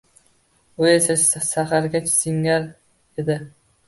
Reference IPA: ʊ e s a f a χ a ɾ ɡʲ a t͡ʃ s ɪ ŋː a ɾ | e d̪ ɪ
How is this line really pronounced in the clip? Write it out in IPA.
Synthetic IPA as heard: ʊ e s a s a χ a ɾ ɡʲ a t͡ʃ s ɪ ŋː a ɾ | e d̪ ɪ